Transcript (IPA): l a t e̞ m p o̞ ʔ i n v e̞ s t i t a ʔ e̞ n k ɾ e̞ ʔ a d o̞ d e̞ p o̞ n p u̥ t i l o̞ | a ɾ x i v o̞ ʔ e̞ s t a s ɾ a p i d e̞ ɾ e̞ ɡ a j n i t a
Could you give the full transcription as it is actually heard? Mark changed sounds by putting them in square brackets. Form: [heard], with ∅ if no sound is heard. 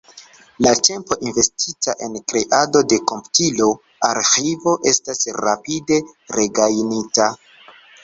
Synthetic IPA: l a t e̞ m p o̞ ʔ i n v e̞ s t i t a ʔ e̞ n k ɾ e̞ ʔ a d o̞ d e̞ [k] o̞ [m] p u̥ t i l o̞ | a ɾ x i v o̞ ʔ e̞ s t a s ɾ a p i d e̞ ɾ e̞ ɡ a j n i t a